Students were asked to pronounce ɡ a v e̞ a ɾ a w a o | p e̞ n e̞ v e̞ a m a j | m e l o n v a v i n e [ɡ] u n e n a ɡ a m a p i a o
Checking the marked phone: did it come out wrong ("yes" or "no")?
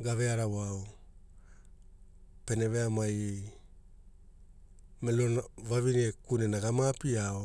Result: yes